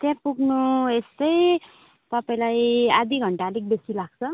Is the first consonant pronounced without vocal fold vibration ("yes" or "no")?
yes